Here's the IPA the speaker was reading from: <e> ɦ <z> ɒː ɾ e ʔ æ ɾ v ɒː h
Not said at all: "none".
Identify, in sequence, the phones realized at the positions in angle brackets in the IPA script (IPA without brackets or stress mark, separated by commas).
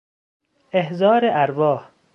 e, z